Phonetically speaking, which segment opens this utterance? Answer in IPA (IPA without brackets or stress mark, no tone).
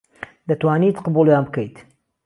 d̪